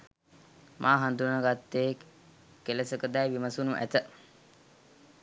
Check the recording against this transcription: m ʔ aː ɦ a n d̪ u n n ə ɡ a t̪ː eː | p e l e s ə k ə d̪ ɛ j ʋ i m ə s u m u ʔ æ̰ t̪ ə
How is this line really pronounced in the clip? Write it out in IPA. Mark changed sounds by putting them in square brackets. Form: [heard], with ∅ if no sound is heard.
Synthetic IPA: m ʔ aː ɦ a n d̪ u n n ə ɡ a t̪ː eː | [k] e l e s ə k ə d̪ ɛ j ʋ i m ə s u [n] u ʔ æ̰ t̪ ə